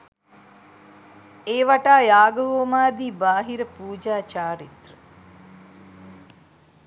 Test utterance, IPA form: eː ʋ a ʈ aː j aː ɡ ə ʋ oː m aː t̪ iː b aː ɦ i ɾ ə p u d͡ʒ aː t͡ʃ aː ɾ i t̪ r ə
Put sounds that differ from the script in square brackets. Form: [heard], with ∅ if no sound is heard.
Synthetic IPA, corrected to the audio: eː ʋ a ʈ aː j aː ɡ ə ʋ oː m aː [d̪] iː b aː ɦ i ɾ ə p [uː] d͡ʒ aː t͡ʃ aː ɾ i t̪ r ə